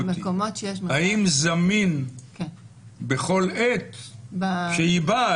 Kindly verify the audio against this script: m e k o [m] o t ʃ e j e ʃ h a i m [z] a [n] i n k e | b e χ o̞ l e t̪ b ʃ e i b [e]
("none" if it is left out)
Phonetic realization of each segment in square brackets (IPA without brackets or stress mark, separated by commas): m, z, m, a